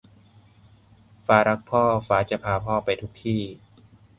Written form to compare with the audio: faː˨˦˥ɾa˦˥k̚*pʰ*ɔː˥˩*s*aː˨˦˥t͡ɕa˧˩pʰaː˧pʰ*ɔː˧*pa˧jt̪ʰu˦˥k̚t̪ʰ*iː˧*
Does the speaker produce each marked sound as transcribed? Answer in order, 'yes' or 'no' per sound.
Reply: yes, no, no, no

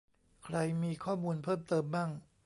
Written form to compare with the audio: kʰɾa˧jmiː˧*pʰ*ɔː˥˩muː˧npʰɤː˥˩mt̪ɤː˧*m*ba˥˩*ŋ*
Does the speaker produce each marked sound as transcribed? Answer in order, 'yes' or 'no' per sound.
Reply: no, yes, yes

